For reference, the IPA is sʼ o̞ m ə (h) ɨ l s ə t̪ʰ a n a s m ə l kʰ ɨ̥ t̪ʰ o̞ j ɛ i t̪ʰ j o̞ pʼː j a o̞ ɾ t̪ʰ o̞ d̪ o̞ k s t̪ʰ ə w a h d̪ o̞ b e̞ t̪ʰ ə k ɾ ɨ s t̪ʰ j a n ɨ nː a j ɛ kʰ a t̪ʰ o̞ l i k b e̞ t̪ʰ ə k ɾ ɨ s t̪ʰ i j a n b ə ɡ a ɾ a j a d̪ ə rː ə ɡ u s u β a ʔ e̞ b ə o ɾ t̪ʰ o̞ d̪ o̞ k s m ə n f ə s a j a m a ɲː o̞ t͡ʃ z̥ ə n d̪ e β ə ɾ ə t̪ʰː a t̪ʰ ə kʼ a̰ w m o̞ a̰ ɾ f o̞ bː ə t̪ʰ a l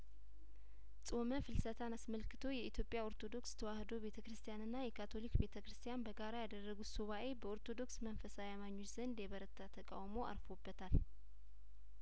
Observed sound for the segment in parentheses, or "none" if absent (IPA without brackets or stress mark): f